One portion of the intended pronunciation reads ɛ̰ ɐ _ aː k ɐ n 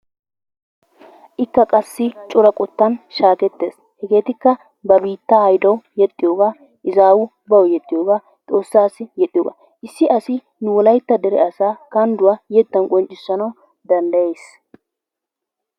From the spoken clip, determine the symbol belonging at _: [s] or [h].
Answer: s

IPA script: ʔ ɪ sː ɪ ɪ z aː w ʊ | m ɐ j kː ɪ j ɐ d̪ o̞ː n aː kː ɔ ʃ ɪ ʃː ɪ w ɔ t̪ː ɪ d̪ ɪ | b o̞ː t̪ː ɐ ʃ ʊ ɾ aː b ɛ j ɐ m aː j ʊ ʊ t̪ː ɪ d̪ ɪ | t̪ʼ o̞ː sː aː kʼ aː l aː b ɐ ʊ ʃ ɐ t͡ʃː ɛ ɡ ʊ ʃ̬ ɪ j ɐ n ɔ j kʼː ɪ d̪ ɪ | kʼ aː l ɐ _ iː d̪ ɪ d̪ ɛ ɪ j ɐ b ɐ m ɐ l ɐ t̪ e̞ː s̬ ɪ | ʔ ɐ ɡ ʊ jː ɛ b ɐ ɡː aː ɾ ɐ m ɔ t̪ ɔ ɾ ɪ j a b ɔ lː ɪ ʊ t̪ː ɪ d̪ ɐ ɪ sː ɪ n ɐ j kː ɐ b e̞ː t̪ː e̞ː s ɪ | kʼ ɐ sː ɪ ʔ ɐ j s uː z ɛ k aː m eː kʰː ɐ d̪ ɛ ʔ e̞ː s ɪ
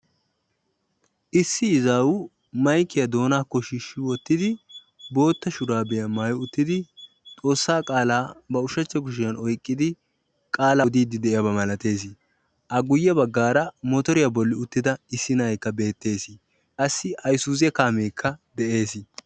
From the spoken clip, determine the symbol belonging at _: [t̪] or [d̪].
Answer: d̪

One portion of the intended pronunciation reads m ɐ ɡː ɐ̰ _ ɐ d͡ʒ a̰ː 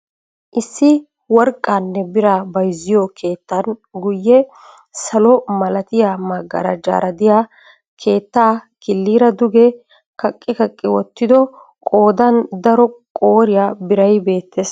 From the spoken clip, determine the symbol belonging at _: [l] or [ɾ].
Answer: ɾ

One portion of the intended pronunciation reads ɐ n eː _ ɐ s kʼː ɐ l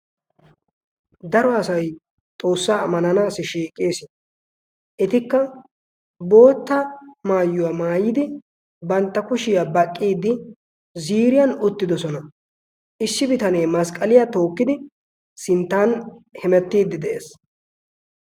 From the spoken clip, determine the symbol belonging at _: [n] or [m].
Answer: m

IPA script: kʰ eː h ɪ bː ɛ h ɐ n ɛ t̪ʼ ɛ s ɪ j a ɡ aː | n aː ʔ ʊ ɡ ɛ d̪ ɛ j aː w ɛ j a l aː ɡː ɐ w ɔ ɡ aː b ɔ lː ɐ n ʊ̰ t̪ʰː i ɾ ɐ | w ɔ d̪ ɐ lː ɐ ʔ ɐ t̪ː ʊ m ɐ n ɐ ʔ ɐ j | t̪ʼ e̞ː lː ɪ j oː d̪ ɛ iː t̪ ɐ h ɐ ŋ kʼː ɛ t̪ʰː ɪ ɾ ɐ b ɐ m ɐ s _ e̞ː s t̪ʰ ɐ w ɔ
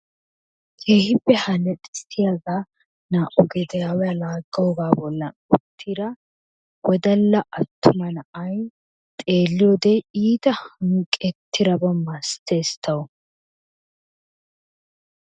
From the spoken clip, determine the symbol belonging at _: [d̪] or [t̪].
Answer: t̪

